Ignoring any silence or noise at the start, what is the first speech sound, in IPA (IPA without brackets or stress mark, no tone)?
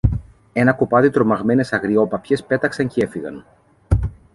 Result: e̞